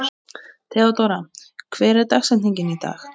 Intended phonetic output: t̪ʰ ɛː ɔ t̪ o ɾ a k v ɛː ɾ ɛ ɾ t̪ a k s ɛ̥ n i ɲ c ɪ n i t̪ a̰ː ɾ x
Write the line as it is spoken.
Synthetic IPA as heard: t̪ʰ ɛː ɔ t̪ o ɾ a kʰ v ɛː ɾ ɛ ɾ t̪ a x s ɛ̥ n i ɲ c ɪ n i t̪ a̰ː x